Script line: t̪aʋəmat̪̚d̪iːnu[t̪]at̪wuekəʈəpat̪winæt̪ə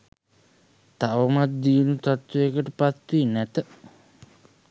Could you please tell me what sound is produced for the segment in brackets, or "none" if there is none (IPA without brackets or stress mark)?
t̪